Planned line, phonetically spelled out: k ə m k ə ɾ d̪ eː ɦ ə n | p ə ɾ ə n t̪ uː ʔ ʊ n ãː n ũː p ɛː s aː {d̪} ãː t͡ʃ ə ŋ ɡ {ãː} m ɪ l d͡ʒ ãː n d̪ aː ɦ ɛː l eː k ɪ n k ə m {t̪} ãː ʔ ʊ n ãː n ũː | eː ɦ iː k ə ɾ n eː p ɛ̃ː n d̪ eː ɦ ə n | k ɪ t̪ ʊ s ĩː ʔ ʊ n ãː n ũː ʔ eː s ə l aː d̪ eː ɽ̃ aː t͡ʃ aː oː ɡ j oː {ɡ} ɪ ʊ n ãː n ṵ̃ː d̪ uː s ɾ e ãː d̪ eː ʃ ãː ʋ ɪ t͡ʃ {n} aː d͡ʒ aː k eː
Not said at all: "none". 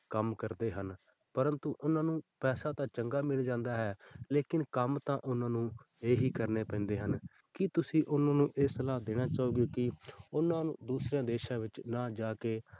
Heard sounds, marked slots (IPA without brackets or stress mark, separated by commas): t̪, aː, t̪, k, n